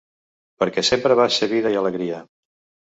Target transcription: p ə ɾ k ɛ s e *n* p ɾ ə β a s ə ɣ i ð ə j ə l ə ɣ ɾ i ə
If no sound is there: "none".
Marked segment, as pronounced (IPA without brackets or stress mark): m